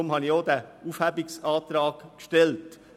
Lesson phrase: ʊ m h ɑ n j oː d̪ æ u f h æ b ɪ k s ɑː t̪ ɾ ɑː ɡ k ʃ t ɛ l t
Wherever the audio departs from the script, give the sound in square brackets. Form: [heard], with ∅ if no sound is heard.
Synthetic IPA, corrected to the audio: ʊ m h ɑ n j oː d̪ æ u f h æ b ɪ k s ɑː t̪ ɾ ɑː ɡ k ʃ t ɛ l t